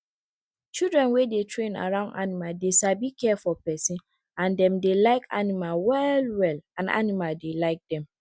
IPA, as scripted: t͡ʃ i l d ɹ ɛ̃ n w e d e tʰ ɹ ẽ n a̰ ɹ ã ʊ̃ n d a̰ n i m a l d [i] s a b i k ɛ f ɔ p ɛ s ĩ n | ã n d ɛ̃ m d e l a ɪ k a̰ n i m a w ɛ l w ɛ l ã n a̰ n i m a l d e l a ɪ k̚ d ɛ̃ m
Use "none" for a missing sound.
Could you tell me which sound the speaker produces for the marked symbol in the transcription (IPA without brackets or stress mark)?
e